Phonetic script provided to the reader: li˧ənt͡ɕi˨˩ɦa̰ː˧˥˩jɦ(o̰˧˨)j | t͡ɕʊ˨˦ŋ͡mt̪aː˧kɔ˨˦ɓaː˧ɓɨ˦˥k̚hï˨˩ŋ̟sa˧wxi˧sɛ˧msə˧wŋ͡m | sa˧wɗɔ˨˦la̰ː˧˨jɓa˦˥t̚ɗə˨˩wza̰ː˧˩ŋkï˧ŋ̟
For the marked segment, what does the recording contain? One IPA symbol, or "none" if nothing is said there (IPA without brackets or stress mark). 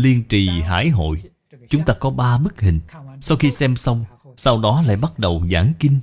o̰˧˨